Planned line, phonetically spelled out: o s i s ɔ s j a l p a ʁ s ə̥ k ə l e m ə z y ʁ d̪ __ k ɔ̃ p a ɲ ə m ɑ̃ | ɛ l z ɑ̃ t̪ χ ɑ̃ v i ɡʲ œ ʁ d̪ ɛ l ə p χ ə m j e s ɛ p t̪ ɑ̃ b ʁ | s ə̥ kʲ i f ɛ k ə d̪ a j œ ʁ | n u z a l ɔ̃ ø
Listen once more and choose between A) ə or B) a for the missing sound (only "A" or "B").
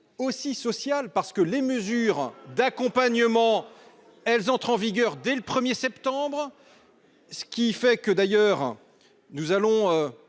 B